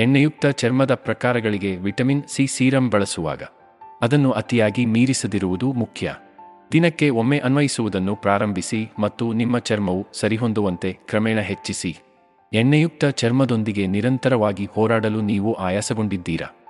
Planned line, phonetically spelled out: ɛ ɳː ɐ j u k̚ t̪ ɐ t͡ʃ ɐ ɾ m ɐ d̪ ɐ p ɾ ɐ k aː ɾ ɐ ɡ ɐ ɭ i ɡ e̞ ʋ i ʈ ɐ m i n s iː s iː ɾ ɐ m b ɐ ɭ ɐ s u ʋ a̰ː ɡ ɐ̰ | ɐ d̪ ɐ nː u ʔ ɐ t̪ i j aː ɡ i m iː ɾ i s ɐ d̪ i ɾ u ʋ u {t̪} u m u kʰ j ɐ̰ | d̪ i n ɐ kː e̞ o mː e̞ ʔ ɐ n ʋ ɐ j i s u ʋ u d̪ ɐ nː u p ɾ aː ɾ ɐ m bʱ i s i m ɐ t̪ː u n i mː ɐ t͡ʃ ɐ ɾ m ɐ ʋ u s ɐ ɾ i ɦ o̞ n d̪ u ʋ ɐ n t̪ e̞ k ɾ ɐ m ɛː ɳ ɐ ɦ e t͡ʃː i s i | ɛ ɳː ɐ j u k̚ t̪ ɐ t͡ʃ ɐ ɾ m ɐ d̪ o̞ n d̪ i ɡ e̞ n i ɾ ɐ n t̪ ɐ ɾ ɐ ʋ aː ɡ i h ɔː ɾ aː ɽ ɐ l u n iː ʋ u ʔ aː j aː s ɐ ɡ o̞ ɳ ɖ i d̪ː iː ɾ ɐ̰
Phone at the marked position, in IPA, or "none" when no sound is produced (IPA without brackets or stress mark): d̪